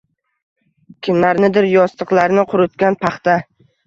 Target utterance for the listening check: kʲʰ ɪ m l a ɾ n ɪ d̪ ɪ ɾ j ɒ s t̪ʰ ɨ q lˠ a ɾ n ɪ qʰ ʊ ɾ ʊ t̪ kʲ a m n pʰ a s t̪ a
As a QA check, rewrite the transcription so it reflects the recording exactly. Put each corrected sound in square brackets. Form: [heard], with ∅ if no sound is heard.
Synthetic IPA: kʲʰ ɪ m l a ɾ n ɪ d̪ ɪ ɾ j ɒ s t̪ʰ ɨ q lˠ a ɾ n ɪ qʰ ʊ ɾ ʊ t̪ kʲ a [∅] n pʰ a [χ] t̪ a